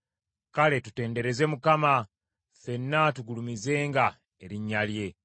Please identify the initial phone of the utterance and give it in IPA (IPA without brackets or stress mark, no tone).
k